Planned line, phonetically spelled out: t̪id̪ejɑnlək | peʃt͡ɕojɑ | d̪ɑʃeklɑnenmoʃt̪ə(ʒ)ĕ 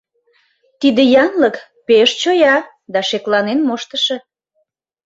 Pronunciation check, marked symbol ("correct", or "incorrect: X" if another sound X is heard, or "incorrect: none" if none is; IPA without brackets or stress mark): incorrect: ʃ